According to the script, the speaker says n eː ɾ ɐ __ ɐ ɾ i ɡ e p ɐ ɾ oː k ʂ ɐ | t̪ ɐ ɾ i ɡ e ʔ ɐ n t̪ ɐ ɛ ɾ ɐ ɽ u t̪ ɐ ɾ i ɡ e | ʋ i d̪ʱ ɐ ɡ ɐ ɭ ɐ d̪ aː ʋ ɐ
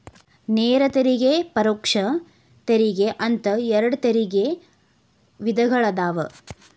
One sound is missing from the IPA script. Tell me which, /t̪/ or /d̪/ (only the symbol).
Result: t̪